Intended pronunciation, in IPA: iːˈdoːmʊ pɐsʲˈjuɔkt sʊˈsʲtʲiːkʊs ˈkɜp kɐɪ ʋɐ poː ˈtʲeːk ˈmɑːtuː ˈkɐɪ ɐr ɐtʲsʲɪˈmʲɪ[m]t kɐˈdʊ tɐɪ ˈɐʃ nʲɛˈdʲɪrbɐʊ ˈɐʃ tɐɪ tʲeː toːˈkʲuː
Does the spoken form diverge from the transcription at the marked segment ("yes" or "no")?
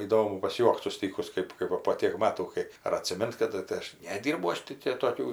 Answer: yes